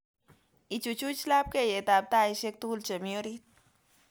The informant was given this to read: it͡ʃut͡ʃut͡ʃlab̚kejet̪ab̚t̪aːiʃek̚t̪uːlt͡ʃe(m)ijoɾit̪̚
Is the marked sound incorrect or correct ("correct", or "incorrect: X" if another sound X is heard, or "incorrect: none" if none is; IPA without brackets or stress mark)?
correct